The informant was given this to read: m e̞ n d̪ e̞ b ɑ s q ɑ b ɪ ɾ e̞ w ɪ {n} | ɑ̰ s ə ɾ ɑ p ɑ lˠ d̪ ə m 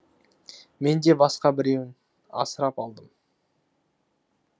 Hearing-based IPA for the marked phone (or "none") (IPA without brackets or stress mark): n